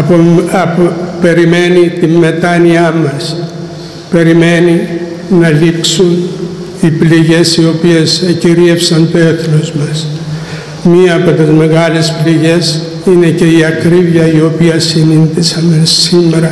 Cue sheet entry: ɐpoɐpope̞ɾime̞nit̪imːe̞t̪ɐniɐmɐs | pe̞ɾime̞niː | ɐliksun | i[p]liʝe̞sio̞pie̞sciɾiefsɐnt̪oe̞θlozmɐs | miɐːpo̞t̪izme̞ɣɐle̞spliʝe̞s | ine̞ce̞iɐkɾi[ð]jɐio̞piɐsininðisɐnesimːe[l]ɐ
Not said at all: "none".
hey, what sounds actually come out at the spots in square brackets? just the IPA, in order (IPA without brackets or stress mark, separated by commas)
p, v, ɾ